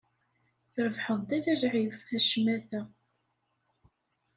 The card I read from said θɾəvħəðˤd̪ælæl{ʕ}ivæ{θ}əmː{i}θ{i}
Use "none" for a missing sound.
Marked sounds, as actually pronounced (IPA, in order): ʕ, ʃ, æ, æ

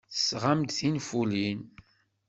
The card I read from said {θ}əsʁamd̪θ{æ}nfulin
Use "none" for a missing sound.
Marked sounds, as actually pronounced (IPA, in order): θ, i

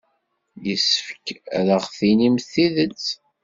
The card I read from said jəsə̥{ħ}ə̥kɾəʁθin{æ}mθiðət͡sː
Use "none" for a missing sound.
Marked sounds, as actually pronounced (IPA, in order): f, i

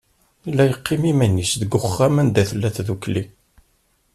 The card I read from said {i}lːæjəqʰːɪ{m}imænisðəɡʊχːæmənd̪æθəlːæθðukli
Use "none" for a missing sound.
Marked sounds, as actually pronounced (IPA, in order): i, m

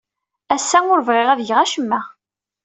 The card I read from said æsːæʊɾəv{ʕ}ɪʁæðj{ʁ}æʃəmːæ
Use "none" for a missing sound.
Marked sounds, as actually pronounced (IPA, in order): ʁ, ʁ

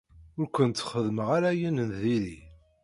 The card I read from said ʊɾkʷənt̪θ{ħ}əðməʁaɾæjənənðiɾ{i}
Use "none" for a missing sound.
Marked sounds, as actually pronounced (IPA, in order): χ, i

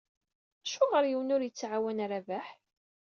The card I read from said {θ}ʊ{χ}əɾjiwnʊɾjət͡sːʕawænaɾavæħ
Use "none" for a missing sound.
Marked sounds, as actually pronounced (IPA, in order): ʃ, ʁ

